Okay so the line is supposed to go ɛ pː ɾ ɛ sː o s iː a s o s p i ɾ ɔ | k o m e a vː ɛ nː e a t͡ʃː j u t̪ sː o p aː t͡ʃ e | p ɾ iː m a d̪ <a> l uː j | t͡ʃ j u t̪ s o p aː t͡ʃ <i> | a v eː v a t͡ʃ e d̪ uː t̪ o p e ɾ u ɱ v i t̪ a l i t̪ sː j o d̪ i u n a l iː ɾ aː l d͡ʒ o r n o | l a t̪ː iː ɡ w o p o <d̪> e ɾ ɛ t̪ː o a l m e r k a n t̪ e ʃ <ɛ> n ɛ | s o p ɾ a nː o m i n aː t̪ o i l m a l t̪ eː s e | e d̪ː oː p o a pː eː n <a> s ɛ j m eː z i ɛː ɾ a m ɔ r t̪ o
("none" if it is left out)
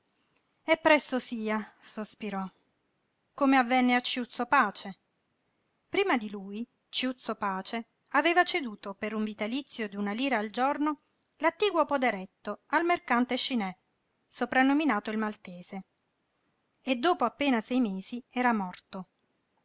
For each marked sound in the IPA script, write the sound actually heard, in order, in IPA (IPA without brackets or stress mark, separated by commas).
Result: i, e, d̪, i, a